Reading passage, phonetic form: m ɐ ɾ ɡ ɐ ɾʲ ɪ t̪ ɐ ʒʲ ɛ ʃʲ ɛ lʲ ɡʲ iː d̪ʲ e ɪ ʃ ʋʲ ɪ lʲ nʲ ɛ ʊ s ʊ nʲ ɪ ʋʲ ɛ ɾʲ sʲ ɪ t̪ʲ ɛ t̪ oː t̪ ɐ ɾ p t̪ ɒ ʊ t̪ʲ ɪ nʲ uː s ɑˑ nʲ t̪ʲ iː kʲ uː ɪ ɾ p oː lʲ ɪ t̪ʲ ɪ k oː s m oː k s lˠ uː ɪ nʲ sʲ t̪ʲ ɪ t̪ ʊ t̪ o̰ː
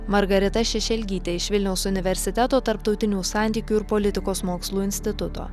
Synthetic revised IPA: m ɐ ɾ ɡ ɐ ɾʲ ɪ t̪ ɐ ʃʲ ɛ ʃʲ ɛ lʲ ɡʲ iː t̪ʲ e ɪ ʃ ʋʲ ɪ lʲ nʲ ɛ ʊ s ʊ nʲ ɪ ʋʲ ɛ ɾʲ sʲ ɪ t̪ʲ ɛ t̪ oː t̪ ɐ ɾ p t̪ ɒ ʊ t̪ʲ ɪ nʲ uː s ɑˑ nʲ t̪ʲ iː kʲ uː ɪ ɾ p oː lʲ ɪ t̪ʲ ɪ k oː s m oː k s lˠ uː ɪ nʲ sʲ t̪ʲ ɪ t̪ ʊ t̪ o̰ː